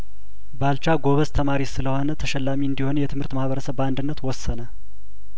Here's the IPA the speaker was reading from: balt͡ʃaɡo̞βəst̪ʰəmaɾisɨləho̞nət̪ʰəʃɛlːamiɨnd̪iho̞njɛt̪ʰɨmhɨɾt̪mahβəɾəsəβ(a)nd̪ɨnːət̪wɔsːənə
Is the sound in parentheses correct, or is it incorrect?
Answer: correct